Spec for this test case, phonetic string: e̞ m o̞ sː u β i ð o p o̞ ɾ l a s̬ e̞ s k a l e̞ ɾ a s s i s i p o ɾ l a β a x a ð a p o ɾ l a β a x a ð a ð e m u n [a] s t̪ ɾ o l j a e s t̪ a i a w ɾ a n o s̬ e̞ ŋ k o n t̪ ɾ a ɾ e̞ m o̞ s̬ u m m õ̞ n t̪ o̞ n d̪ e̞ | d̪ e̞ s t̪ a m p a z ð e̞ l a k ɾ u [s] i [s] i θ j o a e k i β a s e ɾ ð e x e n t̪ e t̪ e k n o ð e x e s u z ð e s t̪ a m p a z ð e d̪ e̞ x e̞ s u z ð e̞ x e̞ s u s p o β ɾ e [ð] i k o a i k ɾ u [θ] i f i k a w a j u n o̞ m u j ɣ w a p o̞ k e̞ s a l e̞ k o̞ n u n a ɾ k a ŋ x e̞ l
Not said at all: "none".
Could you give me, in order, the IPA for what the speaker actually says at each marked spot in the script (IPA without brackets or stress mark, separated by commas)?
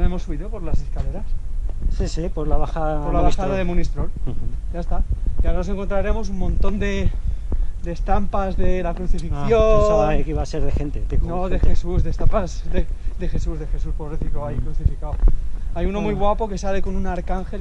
i, θ, f, θ, θ